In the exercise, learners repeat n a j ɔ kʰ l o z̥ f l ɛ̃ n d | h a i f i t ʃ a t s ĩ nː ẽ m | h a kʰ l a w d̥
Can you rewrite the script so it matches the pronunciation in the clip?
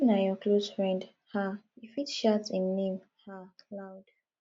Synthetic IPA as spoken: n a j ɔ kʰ l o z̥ f ɹ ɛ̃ n d | h a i f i t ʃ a t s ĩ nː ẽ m | h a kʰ l a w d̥